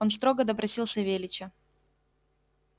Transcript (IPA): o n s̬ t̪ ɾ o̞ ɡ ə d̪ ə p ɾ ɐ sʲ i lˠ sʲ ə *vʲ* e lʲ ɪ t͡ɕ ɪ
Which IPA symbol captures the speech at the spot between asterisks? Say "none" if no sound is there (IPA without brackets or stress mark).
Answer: vʲ